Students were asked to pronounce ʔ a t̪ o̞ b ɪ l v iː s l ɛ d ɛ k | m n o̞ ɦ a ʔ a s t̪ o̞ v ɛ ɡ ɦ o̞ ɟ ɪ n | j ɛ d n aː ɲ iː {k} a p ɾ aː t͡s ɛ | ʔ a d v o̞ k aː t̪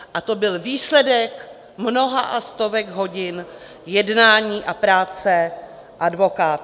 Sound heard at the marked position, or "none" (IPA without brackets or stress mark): ʔ